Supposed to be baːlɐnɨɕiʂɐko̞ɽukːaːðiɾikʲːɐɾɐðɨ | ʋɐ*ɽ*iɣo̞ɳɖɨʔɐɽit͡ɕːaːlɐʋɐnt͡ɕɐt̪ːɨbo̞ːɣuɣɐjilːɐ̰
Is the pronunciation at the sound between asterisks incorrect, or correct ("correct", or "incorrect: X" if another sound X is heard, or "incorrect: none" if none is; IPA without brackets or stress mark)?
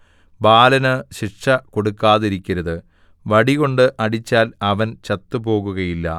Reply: correct